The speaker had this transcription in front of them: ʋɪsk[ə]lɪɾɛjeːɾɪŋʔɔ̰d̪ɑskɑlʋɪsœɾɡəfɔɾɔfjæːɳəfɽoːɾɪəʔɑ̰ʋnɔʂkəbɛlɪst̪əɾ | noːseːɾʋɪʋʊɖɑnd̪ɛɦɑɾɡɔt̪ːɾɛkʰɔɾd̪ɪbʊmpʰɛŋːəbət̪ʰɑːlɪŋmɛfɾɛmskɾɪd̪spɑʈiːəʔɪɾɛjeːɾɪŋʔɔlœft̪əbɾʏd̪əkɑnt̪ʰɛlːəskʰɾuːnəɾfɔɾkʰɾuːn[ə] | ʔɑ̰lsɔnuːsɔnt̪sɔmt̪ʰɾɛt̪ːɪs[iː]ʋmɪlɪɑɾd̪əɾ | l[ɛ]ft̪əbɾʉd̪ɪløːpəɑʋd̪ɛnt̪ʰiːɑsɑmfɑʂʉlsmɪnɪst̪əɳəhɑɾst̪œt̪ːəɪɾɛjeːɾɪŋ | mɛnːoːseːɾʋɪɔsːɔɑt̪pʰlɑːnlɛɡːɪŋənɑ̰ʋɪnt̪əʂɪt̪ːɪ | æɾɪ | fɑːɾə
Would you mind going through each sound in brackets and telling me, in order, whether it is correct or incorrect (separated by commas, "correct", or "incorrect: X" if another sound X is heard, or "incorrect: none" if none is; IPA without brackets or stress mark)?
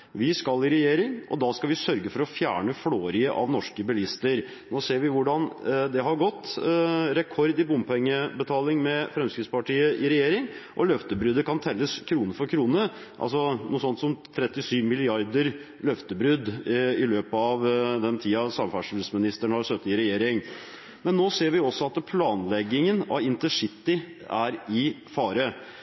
incorrect: ɑ, correct, incorrect: yː, incorrect: œ